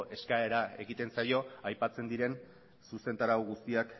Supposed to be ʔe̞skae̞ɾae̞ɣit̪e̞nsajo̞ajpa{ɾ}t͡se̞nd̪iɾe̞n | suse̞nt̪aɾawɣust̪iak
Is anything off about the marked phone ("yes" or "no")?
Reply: yes